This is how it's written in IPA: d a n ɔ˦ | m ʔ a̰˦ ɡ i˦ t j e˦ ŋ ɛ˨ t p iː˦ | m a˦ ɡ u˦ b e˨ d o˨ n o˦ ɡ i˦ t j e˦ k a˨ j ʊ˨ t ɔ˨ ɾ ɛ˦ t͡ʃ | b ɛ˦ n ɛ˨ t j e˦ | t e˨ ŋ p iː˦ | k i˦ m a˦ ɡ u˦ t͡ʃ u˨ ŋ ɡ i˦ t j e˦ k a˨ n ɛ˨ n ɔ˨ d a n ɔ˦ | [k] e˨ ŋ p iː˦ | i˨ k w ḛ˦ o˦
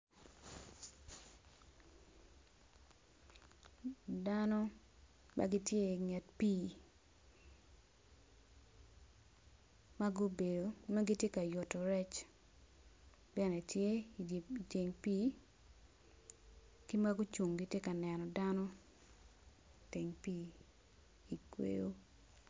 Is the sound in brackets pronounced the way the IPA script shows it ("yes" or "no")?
no